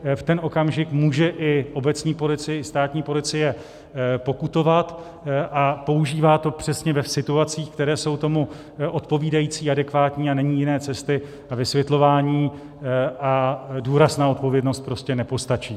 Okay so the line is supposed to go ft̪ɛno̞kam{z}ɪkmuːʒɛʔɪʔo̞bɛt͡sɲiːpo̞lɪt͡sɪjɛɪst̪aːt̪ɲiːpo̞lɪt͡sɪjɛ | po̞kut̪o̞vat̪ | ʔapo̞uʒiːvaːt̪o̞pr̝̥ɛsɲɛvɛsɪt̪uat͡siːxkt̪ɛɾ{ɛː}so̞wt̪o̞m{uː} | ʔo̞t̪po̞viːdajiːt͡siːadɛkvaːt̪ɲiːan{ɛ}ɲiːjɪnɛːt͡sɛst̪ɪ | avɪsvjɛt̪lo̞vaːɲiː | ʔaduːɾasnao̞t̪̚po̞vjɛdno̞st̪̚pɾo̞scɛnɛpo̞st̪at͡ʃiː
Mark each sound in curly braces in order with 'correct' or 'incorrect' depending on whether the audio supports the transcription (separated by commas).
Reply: incorrect, correct, incorrect, correct